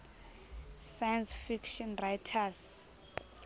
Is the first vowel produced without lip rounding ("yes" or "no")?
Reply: yes